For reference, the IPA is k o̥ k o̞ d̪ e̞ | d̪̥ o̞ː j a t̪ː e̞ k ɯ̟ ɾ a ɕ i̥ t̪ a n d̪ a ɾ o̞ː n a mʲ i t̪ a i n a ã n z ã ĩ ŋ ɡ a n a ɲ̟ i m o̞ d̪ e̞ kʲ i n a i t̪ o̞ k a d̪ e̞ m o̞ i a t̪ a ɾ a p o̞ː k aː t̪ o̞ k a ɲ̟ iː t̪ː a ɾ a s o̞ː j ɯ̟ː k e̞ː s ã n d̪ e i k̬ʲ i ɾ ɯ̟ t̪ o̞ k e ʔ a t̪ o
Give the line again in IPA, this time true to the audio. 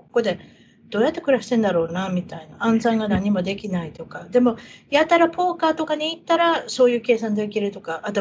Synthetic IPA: k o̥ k o̞ d̪ e̞ | d̪̥ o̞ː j a t̪ː e̞ k ɯ̟ ɾ a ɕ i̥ t̪ e n d̪ a ɾ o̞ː n a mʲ i t̪ a i n a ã n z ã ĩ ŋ ɡ a n a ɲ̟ i m o̞ d̪ e̞ kʲ i n a i t̪ o̞ k a d̪ e̞ m o̞ j a t̪ a ɾ a p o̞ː k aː t̪ o̞ k a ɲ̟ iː t̪ː a ɾ a s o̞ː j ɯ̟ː k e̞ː s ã n d̪ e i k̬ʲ i ɾ ɯ̟ t̪ o̞ k a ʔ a t̪ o